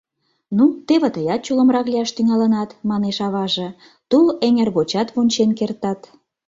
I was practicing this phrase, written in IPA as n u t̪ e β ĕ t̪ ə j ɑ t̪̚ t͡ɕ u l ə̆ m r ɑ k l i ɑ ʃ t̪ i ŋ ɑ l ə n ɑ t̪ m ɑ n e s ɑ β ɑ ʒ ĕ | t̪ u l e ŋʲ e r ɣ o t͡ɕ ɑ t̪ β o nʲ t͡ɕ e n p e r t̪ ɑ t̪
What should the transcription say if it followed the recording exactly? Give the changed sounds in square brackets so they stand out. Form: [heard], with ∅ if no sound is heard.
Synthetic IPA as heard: n u t̪ e β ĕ t̪ ə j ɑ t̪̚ t͡ɕ u l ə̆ m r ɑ k l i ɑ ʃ t̪ [y] ŋ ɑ l ə n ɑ t̪ m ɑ n e [ʃ] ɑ β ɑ ʒ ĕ | t̪ u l e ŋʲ e r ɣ o t͡ɕ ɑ t̪ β o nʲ t͡ɕ e n [k] e r t̪ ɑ t̪